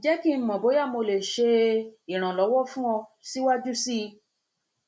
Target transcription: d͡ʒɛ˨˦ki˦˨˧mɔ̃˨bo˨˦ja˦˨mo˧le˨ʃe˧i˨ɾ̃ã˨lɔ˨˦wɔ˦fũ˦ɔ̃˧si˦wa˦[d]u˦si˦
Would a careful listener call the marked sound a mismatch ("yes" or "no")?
yes